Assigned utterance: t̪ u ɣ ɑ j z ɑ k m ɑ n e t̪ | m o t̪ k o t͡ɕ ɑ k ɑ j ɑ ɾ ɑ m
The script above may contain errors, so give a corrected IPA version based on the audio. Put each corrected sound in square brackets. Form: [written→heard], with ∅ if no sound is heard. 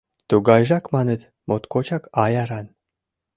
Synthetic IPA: t̪ u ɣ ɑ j [z→ʒ] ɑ k m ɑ n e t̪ | m o t̪ k o t͡ɕ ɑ k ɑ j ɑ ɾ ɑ [m→n]